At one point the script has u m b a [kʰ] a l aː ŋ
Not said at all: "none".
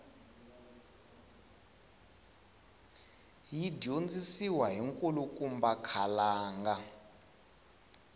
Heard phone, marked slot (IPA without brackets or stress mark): kʰ